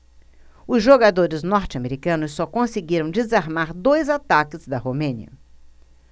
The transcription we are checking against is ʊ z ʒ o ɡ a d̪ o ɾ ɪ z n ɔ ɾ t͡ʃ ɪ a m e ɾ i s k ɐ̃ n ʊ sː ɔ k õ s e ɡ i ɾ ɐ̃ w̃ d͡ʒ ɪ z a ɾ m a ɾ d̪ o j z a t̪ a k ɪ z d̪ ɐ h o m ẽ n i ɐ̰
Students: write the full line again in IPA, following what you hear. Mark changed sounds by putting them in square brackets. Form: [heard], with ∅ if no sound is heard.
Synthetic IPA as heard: ʊ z ʒ o ɡ a d̪ o ɾ ɪ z n ɔ ɾ t͡ʃ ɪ a m e ɾ i [∅] k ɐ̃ n ʊ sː ɔ k õ s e ɡ i ɾ ɐ̃ w̃ d͡ʒ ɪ z a ɾ m a ɾ d̪ o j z a t̪ a k ɪ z d̪ ɐ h o m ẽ n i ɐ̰